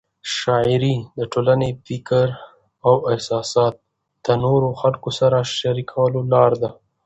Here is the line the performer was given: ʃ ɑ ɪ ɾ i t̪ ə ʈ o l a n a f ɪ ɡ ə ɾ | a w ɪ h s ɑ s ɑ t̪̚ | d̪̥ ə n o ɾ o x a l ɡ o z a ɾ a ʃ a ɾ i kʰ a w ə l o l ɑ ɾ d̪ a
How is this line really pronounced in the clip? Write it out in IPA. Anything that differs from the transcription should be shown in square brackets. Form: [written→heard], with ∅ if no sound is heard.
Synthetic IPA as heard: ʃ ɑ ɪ ɾ i [t̪→d̪] ə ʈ o l a n [a→e] f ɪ [ɡ→k] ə ɾ | a w ɪ h s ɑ s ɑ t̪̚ | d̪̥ ə n o ɾ o x a l [ɡ→k] o [z→s] a ɾ a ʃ a ɾ i kʰ a w ə l o l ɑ ɾ d̪ a

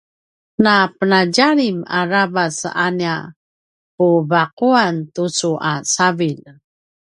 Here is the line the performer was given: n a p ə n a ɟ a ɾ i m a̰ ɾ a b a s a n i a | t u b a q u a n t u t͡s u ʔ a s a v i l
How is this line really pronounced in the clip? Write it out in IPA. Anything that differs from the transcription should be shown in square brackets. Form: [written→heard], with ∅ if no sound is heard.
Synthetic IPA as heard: n a p ə n a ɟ a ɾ i m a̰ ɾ a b a s a n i a | [t→p] u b a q u a n t u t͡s u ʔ a s a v i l

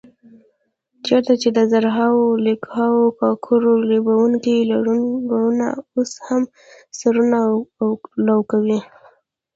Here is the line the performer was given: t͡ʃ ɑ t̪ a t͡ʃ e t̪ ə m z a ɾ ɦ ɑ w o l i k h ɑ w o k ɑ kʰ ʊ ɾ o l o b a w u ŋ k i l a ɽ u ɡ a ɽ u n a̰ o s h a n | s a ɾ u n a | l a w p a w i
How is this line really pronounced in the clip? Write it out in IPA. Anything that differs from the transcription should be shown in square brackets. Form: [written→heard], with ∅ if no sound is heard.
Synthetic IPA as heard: t͡ʃ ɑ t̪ a t͡ʃ e [t̪→d̪] ə [m→∅] z a ɾ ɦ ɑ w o l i k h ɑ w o k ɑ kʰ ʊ ɾ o l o b a w u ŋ k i l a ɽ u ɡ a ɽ u n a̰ o s h a [n→m] | s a ɾ u n a | l a w [p→k] a w i

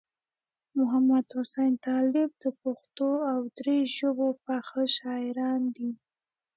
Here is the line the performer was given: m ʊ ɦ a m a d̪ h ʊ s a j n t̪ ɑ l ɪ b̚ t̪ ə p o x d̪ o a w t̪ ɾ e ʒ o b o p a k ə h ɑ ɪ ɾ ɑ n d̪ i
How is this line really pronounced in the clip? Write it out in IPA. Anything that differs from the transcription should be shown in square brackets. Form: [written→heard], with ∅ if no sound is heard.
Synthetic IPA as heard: m ʊ ɦ a m a d̪ h ʊ s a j n t̪ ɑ l ɪ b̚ [t̪→d̪] ə p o x [d̪→t̪] o a w [t̪→d̪] ɾ e ʒ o b o p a [k→x] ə [h→ʃ] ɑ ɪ ɾ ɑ n d̪ i

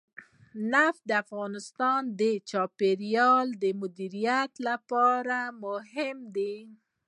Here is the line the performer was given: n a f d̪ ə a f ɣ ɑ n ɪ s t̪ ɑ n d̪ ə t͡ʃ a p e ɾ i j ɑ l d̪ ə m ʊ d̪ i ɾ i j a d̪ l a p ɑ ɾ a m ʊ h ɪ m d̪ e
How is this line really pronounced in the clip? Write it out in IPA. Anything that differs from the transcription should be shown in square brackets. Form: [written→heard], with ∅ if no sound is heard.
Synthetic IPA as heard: n a f d̪ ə a f ɣ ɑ n ɪ s t̪ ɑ n d̪ ə t͡ʃ [a→ɑ] p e ɾ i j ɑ l d̪ ə m ʊ d̪ i ɾ i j a [d̪→t̪] l a p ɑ ɾ a m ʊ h ɪ m d̪ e

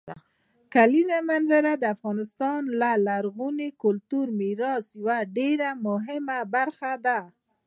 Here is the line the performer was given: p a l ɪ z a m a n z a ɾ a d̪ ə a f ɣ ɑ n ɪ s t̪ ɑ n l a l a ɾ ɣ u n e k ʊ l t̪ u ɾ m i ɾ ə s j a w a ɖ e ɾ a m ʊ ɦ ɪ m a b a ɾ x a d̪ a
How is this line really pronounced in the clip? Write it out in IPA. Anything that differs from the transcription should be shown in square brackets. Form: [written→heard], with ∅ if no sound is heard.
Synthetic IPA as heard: [p→k] a l [ɪ→i] z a m a n z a ɾ a d̪ ə a f ɣ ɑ n ɪ s t̪ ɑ n l a l a ɾ ɣ u n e k ʊ l t̪ u ɾ m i ɾ [ə→ɑ] s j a w a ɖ e ɾ a m ʊ ɦ ɪ m a b a ɾ x a d̪ a

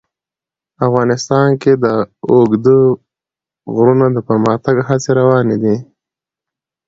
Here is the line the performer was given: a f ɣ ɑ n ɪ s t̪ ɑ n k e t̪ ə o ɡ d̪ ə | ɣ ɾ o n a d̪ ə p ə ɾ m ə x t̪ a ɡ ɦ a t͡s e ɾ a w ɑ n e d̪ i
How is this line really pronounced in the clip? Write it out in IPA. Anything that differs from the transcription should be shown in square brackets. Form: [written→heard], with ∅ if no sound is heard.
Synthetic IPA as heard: a f ɣ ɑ n ɪ s t̪ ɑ n k e [t̪→d̪] ə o ɡ d̪ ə | ɣ ɾ [o→u] n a d̪ ə p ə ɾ m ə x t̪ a ɡ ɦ a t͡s e ɾ a w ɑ n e d̪ i

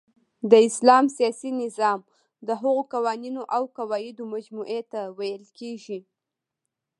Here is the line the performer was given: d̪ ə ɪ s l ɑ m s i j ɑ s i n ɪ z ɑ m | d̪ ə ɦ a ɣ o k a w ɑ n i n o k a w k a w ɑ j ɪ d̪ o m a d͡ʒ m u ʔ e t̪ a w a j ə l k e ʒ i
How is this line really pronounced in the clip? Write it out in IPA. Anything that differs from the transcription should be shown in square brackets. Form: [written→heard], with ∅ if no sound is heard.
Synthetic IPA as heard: d̪ ə ɪ s l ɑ m s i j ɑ s i n ɪ z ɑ m | d̪ ə ɦ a ɣ o k a w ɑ n i n o [k→ʔ] a w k a w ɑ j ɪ d̪ o m a d͡ʒ m u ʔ e t̪ a w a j ə l k e ʒ i

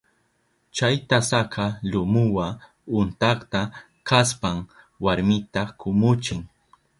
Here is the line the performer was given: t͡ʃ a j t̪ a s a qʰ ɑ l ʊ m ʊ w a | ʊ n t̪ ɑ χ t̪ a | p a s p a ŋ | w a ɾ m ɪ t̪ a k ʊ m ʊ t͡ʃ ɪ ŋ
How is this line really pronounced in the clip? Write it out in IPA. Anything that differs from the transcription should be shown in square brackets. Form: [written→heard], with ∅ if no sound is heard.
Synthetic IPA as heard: t͡ʃ a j t̪ a s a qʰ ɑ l ʊ m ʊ w a | ʊ n t̪ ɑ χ t̪ a | [p→k] a s p a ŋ | w a ɾ m ɪ t̪ a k ʊ m ʊ t͡ʃ ɪ ŋ

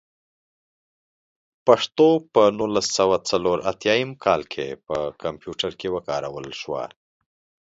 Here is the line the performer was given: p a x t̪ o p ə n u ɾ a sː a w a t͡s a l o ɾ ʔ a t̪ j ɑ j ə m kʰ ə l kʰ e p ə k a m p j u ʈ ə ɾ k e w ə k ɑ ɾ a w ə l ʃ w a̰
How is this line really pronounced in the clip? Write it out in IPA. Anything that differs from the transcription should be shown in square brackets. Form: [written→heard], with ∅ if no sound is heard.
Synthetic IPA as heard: p a [x→ʂ] t̪ o p ə n u [ɾ→l] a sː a w a t͡s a l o ɾ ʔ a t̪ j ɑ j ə m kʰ [ə→ɑ] l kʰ e p ə k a m p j u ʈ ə ɾ k e w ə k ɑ ɾ a w ə l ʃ w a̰

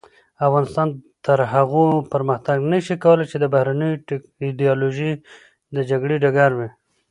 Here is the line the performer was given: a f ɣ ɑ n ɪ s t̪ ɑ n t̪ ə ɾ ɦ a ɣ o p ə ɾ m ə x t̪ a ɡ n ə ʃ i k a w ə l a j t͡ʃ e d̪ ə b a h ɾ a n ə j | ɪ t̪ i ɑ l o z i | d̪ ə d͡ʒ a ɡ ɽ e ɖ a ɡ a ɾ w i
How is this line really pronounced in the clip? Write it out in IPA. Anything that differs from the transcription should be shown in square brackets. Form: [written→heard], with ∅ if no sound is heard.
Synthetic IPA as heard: a f ɣ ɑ n ɪ s t̪ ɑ n t̪ ə ɾ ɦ a ɣ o p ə ɾ m ə x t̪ a ɡ n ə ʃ i k a w ə l a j t͡ʃ e d̪ ə b a h ɾ a n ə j | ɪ [t̪→d̪] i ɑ l o [z→ʒ] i | d̪ ə d͡ʒ a ɡ ɽ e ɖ a ɡ a ɾ w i

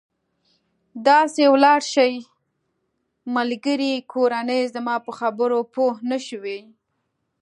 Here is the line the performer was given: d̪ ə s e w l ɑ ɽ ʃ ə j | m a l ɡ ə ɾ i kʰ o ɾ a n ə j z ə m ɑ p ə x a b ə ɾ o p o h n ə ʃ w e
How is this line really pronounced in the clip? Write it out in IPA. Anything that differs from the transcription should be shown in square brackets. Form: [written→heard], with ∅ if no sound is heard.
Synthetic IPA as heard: d̪ [ə→ɑ] s e w l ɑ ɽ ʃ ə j | m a l ɡ ə ɾ i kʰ o ɾ a n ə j z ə m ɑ p ə x a b ə ɾ o p o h n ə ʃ w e

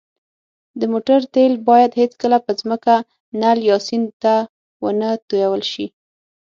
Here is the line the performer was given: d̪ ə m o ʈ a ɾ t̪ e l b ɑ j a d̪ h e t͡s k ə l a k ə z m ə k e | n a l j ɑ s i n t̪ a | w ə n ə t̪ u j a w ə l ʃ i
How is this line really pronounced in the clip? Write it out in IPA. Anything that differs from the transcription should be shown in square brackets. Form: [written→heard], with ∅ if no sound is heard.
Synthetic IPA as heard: d̪ ə m o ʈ a ɾ t̪ e l b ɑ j a d̪ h e t͡s k ə l a [k→p] ə z m ə k [e→a] | n a l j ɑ s i n t̪ a | w ə n ə t̪ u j a w ə l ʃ i

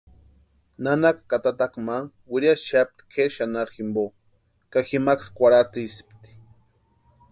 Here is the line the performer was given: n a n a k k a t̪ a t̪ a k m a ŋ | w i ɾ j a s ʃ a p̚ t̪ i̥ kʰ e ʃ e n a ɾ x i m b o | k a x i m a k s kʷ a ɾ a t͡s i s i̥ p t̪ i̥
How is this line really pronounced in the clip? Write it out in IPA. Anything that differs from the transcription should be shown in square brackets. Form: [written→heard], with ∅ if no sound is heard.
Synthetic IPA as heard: n a n a k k a t̪ a t̪ a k m a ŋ | w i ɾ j a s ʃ a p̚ t̪ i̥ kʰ e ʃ [e→a] n a ɾ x i m b o | k a x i m a k s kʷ a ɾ a t͡s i s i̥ p t̪ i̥

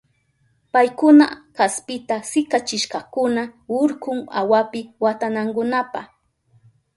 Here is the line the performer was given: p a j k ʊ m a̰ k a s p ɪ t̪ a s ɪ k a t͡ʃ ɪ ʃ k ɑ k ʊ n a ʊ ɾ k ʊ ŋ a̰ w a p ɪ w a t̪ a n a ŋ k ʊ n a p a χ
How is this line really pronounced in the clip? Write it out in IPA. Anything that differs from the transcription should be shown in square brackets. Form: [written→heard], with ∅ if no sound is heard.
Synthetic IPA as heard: p a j k ʊ [m→n] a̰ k a s p ɪ t̪ a s ɪ k a t͡ʃ ɪ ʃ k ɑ k ʊ n a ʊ ɾ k ʊ ŋ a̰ w a p ɪ w a t̪ a n a ŋ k ʊ n a p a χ

